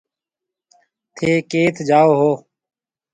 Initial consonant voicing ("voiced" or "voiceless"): voiceless